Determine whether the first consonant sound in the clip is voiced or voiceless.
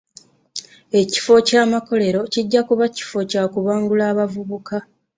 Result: voiceless